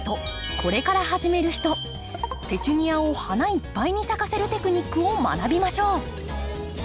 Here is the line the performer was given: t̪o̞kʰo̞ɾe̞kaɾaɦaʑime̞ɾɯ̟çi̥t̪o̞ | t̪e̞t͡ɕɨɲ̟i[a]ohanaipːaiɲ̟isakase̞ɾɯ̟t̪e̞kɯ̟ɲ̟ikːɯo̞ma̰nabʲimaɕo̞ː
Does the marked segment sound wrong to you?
no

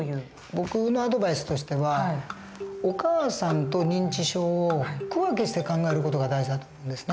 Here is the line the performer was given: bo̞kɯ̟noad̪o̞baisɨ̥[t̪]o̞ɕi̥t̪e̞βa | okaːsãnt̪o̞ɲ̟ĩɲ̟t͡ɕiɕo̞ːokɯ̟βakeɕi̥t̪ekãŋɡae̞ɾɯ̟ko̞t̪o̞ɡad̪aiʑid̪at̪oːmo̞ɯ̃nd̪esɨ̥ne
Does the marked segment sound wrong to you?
no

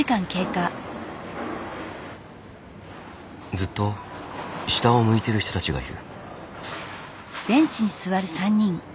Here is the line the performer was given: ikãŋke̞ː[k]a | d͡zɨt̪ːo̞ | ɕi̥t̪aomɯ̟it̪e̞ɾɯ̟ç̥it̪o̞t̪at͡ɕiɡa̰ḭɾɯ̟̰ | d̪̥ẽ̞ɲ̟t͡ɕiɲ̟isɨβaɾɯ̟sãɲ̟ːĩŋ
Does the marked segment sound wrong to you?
no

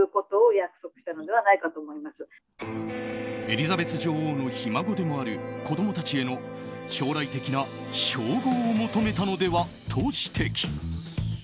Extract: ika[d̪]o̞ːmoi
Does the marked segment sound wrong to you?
yes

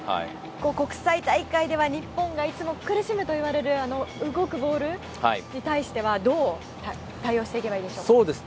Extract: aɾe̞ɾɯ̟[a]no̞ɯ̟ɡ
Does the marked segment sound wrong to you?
no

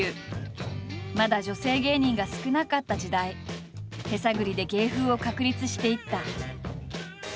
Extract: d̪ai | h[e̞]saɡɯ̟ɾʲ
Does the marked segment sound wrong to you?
no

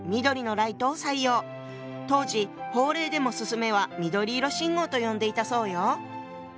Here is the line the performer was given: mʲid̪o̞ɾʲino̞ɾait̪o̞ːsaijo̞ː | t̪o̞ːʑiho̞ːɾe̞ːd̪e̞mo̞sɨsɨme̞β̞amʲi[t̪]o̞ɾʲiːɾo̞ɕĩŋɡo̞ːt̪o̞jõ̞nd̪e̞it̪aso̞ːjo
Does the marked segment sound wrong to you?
yes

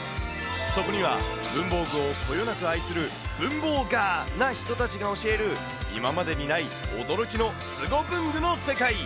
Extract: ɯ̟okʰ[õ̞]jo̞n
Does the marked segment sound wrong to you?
yes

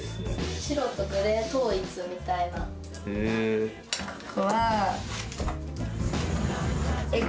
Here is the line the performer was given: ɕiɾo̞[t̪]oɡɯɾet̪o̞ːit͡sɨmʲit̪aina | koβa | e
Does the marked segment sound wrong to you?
no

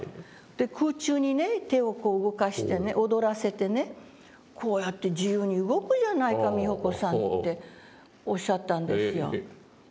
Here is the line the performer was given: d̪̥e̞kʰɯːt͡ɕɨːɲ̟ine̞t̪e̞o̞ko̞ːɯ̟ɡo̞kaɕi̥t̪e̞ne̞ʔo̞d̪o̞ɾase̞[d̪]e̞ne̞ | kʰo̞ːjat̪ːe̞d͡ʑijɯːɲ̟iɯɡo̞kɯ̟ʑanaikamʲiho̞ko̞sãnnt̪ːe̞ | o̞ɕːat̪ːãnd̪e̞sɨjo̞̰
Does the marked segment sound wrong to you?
yes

